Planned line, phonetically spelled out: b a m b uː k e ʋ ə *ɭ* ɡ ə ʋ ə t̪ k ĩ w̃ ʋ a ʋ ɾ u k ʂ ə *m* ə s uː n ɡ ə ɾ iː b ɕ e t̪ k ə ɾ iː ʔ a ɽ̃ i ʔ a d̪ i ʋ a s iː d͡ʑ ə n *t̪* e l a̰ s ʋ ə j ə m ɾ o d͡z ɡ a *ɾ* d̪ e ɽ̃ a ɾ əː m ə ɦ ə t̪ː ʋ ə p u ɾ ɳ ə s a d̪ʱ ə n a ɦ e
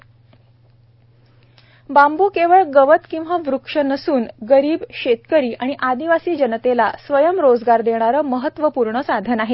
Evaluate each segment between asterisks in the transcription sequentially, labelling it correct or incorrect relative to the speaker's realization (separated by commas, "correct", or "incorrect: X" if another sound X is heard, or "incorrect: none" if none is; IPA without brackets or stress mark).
correct, incorrect: n, correct, correct